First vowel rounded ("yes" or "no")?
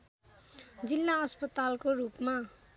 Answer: no